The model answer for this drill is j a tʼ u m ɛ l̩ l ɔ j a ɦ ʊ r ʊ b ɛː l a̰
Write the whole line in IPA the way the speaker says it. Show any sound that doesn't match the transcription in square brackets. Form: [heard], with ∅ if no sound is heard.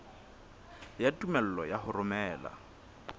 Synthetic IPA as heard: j a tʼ u m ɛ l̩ l ɔ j a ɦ ʊ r ʊ [m] ɛː l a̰

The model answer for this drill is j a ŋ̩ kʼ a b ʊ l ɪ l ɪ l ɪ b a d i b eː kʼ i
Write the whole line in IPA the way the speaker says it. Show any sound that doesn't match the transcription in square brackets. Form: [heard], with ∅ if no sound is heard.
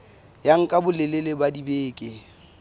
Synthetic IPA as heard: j a ŋ̩ kʼ a b ʊ l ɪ l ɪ l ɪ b a d i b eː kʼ [ɪ]

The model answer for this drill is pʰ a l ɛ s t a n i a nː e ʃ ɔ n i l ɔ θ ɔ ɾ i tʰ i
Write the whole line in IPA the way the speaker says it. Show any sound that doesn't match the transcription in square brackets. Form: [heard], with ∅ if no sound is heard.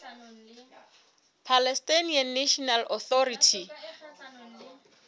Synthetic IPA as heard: pʰ a l ɛ s t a n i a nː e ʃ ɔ n [a] l ɔ θ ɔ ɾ i tʰ i

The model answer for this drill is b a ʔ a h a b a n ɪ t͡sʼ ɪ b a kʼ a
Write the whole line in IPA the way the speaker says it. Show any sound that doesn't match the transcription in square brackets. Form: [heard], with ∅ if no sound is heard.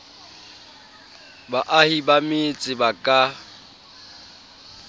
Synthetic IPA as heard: b a ʔ a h [i] b a [m] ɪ t͡sʼ ɪ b a kʼ a

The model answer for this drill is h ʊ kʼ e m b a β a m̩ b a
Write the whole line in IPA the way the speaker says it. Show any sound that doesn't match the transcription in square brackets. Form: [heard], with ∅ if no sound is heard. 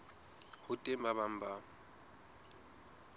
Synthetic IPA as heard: h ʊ [tʼ] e m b a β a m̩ b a

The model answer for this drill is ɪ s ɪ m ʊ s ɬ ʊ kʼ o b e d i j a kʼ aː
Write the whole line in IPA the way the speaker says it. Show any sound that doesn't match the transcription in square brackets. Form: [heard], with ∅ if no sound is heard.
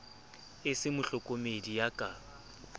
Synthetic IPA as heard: ɪ s ɪ m ʊ [∅] ɬ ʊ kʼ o [m] e d i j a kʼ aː

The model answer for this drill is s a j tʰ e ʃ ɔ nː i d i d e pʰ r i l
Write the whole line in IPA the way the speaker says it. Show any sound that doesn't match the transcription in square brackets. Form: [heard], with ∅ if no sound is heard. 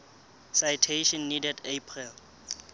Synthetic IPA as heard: s a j tʰ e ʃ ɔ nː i d [ɛ] d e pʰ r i l

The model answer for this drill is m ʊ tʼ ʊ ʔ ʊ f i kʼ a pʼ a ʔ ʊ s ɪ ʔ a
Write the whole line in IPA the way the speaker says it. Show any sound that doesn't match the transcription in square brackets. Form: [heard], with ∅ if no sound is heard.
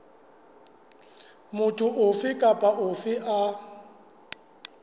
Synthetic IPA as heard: m ʊ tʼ ʊ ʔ ʊ f [ɪ] kʼ a pʼ a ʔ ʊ [f] ɪ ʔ a

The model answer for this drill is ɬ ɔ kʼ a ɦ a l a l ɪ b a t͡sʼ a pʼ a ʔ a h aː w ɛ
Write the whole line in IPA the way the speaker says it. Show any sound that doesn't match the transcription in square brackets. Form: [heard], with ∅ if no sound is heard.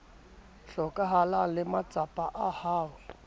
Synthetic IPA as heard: ɬ ɔ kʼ a ɦ a l a l ɪ [m] a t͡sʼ a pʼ a ʔ a h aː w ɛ

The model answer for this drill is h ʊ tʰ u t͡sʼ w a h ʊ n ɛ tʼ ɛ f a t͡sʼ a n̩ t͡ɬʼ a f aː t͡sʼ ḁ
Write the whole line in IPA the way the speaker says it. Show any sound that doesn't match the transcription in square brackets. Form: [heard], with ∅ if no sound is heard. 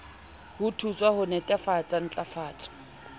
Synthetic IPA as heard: h ʊ tʰ u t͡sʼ w a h ʊ n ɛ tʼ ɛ f a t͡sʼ a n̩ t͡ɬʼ a f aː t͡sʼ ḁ

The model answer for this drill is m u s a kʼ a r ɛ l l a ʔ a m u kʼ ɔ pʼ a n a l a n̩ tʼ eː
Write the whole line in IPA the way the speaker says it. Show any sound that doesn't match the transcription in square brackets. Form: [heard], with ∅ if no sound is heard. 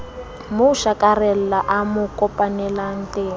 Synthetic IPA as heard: m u [ʃ] a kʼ a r ɛ l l a ʔ a m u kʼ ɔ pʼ a n [ɛ] l a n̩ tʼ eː

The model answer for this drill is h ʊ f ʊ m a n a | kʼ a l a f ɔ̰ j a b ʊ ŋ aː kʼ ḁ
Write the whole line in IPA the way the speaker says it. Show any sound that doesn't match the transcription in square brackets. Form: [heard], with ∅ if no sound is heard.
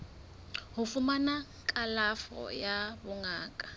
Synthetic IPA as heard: h ʊ f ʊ m a n a | kʼ a l a f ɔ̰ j a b ʊ ŋ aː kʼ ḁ

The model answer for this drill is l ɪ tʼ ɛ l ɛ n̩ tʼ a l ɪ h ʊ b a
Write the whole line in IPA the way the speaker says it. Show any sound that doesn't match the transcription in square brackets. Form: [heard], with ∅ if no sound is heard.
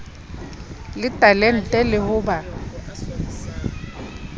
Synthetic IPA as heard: l ɪ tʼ [a] l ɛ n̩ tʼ [ɛ] l ɪ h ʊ b a

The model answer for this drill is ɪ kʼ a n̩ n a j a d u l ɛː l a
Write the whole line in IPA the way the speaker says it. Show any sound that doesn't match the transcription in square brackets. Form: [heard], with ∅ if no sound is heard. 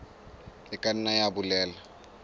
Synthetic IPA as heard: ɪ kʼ a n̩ n a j a [b] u l ɛː l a

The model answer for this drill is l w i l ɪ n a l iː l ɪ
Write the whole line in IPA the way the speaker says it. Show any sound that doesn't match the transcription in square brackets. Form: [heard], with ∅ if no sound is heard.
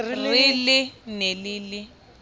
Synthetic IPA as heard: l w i l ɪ n [e] l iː l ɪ

